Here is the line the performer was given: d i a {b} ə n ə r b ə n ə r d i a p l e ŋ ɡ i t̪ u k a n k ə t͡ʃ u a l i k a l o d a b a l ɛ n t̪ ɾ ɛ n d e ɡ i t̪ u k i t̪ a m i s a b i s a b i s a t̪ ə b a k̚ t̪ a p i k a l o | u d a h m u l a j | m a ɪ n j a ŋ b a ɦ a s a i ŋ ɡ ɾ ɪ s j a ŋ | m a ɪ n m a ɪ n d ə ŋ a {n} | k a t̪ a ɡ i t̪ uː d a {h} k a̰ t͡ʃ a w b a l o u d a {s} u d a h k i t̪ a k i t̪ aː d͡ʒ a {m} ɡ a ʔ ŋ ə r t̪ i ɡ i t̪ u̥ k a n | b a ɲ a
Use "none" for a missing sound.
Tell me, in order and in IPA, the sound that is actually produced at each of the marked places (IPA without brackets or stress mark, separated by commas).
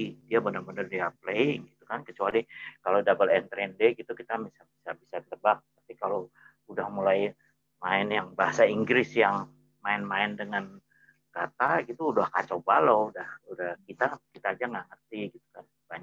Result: b, n, h, h, ŋ